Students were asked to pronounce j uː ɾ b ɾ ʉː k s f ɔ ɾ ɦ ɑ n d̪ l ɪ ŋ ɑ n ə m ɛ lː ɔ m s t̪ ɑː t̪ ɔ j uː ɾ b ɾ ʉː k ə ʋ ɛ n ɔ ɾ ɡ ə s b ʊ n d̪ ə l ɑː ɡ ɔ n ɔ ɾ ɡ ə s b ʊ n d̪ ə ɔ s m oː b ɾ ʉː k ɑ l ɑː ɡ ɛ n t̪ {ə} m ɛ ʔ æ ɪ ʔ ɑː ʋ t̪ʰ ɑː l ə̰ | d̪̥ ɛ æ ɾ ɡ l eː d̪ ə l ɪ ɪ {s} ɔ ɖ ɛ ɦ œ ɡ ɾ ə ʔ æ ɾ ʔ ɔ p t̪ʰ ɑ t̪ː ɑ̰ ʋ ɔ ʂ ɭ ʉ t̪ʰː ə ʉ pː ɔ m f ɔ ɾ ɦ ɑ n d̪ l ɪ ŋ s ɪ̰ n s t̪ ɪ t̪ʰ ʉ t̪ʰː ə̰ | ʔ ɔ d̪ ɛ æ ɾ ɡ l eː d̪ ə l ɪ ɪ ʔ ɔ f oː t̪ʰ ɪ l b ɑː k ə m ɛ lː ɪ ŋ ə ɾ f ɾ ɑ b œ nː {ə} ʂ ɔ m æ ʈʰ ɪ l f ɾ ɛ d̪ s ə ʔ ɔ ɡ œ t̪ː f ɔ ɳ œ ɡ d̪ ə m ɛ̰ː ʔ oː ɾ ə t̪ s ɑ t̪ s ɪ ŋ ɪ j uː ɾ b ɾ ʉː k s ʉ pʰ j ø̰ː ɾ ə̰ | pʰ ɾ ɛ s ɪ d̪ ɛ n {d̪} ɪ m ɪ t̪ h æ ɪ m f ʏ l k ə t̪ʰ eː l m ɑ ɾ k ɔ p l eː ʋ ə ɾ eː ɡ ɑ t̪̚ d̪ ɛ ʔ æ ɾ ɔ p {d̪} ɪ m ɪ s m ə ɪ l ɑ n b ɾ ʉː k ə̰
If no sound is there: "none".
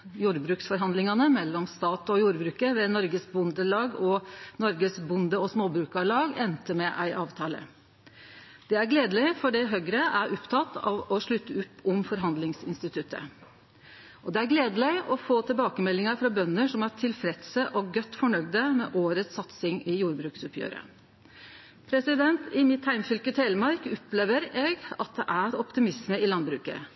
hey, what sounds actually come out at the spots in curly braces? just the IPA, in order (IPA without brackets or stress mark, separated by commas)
ə, f, ə, t̪, t̪